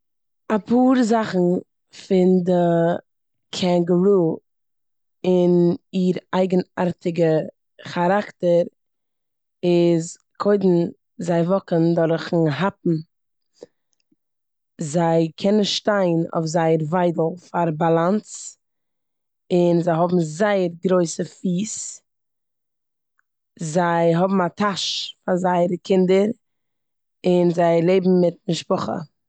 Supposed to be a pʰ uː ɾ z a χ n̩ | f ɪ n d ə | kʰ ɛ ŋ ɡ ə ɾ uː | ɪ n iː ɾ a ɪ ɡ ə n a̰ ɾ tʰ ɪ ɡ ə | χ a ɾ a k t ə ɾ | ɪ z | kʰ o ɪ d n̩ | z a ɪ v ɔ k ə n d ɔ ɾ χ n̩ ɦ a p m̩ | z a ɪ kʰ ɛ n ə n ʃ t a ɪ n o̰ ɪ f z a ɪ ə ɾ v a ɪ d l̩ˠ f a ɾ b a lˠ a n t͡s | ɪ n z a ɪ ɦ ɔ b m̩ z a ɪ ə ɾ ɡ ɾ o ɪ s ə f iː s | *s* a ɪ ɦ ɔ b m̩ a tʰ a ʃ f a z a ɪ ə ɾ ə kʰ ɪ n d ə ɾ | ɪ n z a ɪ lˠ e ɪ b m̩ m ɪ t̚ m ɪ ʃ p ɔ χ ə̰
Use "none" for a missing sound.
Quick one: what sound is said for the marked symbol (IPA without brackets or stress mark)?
z